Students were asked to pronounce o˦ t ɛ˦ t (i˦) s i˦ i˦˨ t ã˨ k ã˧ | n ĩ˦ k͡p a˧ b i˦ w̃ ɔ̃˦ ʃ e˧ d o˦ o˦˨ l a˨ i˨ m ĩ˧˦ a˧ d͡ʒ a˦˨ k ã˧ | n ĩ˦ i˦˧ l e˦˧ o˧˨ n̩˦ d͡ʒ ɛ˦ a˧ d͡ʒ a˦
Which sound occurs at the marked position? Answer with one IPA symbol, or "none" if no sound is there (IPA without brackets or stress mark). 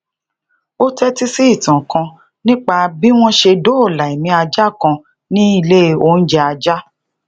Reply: i˦